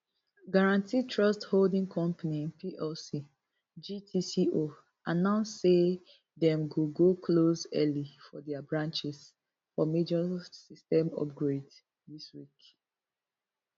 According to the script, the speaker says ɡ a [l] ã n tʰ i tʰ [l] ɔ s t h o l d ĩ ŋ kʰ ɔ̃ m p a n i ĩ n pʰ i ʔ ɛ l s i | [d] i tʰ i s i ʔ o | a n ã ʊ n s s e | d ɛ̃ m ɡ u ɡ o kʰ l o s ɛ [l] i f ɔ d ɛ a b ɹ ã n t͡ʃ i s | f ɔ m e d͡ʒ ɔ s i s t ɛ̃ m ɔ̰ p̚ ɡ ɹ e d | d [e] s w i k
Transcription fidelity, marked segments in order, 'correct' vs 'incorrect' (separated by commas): incorrect, incorrect, incorrect, correct, incorrect